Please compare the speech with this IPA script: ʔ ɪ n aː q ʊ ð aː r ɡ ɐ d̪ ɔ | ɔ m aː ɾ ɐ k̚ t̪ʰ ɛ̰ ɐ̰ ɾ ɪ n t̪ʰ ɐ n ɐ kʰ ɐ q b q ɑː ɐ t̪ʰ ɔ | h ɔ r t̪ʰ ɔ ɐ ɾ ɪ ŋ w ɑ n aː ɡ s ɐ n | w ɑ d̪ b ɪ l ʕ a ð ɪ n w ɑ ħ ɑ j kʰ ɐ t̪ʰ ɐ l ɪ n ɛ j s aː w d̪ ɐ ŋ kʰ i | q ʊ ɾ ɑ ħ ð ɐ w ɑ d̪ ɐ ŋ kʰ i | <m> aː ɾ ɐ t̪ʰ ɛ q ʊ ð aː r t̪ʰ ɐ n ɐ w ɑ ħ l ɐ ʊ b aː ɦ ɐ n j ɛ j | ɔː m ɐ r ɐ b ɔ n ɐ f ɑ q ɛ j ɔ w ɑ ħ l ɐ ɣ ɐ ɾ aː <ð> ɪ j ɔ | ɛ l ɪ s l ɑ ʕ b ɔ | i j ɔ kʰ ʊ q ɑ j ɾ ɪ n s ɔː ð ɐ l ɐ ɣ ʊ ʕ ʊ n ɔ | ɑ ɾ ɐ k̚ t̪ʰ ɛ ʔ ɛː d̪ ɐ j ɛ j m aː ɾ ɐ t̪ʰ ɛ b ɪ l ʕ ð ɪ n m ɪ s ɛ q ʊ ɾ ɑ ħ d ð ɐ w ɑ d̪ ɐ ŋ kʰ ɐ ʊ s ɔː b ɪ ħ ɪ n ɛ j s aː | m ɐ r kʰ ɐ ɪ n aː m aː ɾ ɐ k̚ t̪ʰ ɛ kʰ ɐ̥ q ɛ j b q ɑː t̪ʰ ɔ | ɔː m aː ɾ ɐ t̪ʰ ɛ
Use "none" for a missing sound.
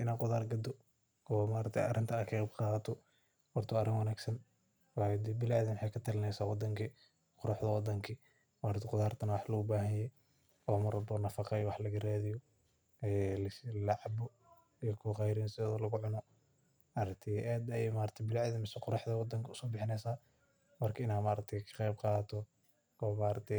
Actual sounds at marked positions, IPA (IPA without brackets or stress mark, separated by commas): m, ð